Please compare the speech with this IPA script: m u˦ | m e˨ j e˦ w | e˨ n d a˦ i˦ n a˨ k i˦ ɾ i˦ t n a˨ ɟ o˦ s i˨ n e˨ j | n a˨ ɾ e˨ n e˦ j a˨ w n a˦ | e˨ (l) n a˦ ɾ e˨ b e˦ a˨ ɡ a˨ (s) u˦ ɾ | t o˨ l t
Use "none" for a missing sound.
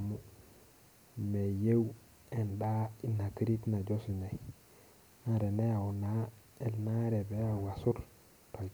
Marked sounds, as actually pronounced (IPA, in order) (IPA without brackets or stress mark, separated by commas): l, s